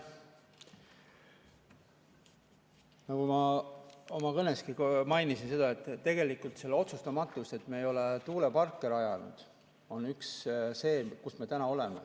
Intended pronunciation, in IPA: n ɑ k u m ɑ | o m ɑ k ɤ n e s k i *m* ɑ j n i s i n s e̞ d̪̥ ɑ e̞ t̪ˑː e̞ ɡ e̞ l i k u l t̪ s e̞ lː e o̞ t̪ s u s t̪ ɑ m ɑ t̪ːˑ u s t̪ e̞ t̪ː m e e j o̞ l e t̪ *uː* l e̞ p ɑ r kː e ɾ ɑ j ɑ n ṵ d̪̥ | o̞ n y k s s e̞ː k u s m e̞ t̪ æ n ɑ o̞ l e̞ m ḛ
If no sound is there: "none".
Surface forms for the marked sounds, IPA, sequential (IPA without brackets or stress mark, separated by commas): m, uː